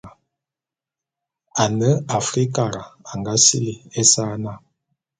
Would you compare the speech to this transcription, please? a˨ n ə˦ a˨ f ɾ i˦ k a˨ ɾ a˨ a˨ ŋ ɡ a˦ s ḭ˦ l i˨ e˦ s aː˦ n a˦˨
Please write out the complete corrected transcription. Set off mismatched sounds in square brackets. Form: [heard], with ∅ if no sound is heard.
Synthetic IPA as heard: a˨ n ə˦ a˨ f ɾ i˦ k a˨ ɾ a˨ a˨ ŋ ɡ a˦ s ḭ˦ l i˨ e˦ s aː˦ n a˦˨